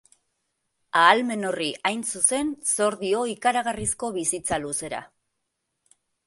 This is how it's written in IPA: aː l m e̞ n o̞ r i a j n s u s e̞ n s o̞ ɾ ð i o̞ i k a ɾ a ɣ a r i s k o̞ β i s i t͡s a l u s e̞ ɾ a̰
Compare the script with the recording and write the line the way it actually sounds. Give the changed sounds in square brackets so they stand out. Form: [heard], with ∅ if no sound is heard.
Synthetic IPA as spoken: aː l m e̞ n o̞ r i a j n s u s e̞ n s o̞ ɾ ð i o̞ i k a ɾ a ɣ a r i s k o̞ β i s i t͡s a l u s e̞ ɾ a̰